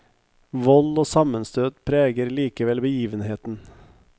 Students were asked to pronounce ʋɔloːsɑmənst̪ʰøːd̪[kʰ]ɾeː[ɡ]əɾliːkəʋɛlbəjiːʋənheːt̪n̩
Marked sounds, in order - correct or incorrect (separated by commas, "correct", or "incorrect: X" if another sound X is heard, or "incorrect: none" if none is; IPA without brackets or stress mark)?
incorrect: pʰ, correct